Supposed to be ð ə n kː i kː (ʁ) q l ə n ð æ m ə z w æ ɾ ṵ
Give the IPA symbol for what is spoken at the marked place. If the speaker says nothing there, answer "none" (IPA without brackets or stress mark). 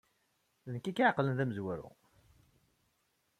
ʕ